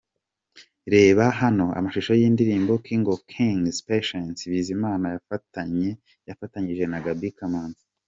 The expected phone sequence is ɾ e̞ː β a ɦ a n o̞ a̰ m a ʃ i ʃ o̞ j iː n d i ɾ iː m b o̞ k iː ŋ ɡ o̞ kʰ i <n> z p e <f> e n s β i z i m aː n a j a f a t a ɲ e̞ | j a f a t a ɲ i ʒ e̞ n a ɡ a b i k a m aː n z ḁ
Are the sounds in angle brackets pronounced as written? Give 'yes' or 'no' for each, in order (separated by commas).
no, no